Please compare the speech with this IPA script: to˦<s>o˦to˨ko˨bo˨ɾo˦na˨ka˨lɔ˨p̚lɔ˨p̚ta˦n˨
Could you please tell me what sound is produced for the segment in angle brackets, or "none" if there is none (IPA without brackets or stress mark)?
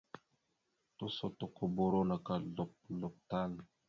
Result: s